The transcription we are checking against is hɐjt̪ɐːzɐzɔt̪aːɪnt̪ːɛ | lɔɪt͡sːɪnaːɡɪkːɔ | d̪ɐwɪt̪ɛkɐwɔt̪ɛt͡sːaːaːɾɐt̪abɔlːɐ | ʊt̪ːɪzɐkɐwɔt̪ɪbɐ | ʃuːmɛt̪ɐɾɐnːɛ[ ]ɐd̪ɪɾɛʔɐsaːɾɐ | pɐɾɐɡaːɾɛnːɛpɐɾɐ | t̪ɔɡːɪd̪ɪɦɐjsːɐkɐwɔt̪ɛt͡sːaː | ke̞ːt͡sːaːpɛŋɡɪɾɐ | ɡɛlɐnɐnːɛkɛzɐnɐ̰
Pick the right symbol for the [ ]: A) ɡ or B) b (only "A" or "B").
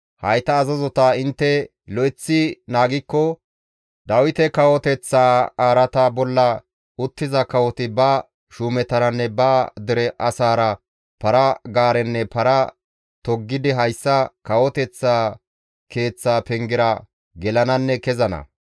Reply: B